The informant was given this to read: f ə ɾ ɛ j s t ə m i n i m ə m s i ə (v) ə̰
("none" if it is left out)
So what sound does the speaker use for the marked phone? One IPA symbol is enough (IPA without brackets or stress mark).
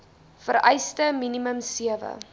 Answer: v